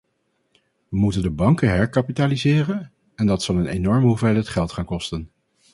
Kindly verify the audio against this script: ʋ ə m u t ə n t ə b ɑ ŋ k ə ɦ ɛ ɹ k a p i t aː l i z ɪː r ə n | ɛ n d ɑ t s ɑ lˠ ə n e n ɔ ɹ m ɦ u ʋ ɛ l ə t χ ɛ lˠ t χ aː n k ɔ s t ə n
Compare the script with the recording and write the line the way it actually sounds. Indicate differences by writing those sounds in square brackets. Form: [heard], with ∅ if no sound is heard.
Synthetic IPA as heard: ʋ ə m u t ə n [d] ə b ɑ ŋ k ə ɦ ɛ ɹ k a p i t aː l i z ɪː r ə n | ɛ n d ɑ t s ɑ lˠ ə n e n ɔ ɹ m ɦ u [v] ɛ l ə t χ ɛ lˠ t χ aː n k ɔ s t ə n

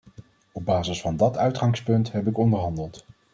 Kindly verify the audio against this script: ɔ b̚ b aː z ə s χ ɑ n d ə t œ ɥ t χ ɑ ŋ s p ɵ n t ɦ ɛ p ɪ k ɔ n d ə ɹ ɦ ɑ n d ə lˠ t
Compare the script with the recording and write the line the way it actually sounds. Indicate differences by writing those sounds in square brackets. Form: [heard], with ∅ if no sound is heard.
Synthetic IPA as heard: ɔ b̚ b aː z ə s [f] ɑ n d [ɑ] t œ ɥ t χ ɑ ŋ s p ɵ n t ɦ ɛ p ɪ k ɔ n d ə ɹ ɦ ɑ n d ə lˠ t

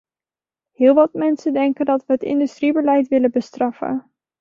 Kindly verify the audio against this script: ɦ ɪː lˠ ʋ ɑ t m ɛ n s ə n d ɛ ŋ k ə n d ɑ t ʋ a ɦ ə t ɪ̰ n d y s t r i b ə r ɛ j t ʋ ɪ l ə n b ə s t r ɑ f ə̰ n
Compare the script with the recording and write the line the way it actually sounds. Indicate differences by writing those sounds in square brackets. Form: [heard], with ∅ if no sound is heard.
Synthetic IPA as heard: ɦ ɪː lˠ ʋ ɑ t m ɛ n s ə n d ɛ ŋ k ə n d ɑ t ʋ [ə] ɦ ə t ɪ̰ n d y s t r i b ə [l] ɛ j t ʋ ɪ l ə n b ə s t r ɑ f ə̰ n

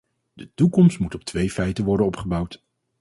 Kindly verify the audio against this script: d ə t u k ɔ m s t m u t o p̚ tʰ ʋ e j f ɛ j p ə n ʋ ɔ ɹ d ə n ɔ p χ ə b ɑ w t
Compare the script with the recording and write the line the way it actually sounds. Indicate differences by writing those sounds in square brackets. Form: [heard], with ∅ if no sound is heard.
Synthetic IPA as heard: d ə t u k ɔ m s t m u t [ɔ] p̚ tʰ ʋ e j f ɛ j [t] ə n ʋ ɔ ɹ d ə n ɔ p χ ə b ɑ w t

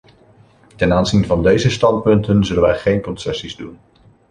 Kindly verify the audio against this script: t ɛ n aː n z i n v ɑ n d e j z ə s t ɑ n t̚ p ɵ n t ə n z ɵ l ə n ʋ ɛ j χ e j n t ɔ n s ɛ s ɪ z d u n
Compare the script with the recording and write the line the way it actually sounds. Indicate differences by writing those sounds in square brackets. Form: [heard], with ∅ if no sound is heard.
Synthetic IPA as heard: t ɛ n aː n z i n v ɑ n d e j z ə s t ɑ n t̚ p ɵ n t ə n z ɵ l ə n ʋ ɛ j χ e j n [k] ɔ n s ɛ s [i] z d u n

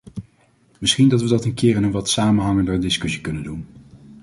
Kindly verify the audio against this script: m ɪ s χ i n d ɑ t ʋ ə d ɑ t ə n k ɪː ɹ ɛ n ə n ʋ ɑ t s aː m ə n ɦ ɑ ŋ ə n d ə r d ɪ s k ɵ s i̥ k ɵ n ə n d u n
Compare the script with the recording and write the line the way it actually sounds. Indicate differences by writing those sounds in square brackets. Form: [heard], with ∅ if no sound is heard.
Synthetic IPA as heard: m ɪ s χ i n d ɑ t ʋ ə d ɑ t ə n k ɪː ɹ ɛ n ə n ʋ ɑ t s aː m ə n ɦ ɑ ŋ ə n d ə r d ɪ s k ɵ s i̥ k ɵ n ə n d u n

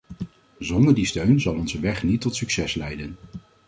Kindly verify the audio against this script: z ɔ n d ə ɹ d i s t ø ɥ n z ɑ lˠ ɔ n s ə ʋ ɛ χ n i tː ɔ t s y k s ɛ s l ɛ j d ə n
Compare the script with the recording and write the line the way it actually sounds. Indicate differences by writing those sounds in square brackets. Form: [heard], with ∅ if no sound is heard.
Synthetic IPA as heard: z ɔ n d ə ɹ d i s t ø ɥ n z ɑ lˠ ɔ n [z] ə ʋ ɛ χ n i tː ɔ t s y k s ɛ s l ɛ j d ə n

